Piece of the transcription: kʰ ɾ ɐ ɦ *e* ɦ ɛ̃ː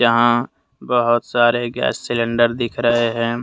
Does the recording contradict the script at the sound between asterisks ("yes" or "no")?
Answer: no